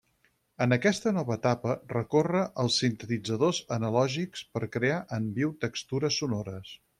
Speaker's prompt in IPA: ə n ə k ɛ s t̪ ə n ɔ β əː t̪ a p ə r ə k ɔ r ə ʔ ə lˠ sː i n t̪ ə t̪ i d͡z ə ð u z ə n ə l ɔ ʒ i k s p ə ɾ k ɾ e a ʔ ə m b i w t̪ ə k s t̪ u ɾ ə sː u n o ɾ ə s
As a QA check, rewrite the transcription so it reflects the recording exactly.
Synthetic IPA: ə n ə k ɛ s t̪ ə n ɔ β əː t̪ a p ə r ə k o r ə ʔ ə lˠ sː i n t̪ ə t̪ i d͡z ə ð o z ə n ə l ɔ ʒ i k s p ə ɾ k ɾ e a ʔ ə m b i w t̪ ə k s t̪ u ɾ ə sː u n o ɾ ə s